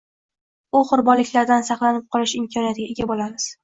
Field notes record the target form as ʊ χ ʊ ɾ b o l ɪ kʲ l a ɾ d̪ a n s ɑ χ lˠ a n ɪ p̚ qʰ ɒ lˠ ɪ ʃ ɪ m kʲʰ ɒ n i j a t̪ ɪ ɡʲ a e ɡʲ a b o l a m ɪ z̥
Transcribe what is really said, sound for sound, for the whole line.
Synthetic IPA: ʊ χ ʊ ɾ b ɒ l ɪ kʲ l a ɾ d̪ a n s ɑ χ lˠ a n ɪ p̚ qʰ ɒ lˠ ɪ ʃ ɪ m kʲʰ ɒ n i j a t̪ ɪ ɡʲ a e ɡʲ a b o l a m ɪ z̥

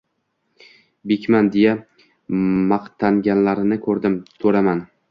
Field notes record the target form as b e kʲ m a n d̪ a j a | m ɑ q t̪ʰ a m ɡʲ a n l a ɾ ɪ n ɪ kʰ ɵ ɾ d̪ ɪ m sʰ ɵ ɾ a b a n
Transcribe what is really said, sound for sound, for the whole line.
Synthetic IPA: b e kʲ m a n d̪ e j a | m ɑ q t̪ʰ a ŋ ɡʲ a n l a ɾ ɪ n ɪ kʰ ɵ ɾ d̪ ɪ m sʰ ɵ ɾ a m a n

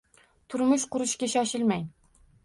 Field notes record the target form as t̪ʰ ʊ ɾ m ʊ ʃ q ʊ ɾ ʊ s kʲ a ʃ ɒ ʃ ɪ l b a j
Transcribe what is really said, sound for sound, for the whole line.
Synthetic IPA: t̪ʰ ʊ ɾ m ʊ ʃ q ʊ ɾ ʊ ʃ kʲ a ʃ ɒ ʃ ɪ l m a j

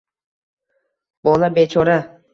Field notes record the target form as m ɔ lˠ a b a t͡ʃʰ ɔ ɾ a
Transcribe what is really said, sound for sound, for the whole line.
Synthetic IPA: b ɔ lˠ a b e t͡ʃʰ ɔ ɾ a

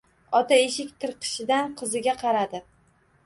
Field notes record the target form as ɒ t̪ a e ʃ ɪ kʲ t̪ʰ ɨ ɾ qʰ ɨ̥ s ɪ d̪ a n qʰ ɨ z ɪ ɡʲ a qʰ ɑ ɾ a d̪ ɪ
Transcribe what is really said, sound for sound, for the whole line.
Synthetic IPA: ɒ t̪ a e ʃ ɪ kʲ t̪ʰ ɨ ɾ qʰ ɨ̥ ʃ ɪ d̪ a n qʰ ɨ z ɪ ɡʲ a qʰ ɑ ɾ a d̪ ɪ

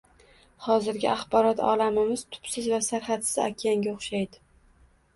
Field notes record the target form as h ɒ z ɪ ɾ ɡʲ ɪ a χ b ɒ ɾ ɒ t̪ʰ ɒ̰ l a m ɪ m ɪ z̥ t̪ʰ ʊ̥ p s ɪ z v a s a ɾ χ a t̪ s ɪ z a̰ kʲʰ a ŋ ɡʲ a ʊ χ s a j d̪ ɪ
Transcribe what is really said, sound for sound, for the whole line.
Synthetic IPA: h ɒ z ɪ ɾ ɡʲ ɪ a χ b ɒ ɾ ɒ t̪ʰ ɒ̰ l a m ɪ m ɪ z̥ t̪ʰ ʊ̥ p s ɪ z v a s a ɾ χ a t̪ s ɪ z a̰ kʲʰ a ŋ ɡʲ a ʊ χ ʃ a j d̪ ɪ

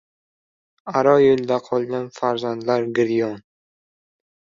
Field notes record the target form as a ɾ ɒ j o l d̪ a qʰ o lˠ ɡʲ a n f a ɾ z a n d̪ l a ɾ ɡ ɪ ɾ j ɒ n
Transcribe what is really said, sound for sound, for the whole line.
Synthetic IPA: a ɾ ɒ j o l d̪ a qʰ ɒ lˠ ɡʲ a n f a ɾ z a n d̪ l a ɾ ɡ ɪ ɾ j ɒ n

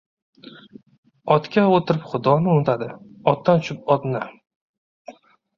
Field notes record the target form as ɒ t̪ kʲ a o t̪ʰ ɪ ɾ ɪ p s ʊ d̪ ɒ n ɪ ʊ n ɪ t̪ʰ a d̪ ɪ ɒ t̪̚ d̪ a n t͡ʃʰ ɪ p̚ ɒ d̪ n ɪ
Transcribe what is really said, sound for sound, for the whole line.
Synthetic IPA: ɒ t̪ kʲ a o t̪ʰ ɪ ɾ ɪ p χ ʊ d̪ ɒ n ɪ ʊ n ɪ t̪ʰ a d̪ ɪ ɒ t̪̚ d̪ a n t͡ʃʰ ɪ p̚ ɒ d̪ n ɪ

